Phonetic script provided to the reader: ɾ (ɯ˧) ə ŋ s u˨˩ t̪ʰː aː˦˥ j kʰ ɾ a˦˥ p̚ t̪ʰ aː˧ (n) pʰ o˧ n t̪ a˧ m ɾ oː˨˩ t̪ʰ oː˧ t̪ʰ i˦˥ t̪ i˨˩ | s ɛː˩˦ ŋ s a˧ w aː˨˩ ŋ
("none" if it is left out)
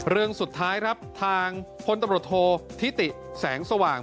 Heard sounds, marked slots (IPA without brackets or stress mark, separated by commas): ɯ˧, ŋ